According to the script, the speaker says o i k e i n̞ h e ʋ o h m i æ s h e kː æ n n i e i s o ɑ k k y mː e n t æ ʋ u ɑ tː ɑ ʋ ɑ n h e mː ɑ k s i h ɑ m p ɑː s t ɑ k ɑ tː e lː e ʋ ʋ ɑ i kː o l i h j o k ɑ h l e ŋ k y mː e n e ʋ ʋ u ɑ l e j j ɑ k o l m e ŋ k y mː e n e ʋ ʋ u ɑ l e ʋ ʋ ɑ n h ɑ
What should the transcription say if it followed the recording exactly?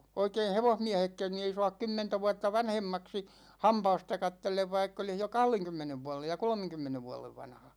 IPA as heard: o i k e i n̞ h e ʋ o h m i æ h e kː æ n n i e i s o ɑ k k y mː e n t æ ʋ u ɑ tː ɑ ʋ ɑ n h e mː ɑ k s i h ɑ m p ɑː s t ɑ k ɑ tː e lː e ʋ ʋ ɑ i kː o l i h j o k ɑ h l e ŋ k y mː e n e ʋ ʋ u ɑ l e j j ɑ k o l m e ŋ k y mː e n e ʋ ʋ u ɑ l e ʋ ʋ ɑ n h ɑ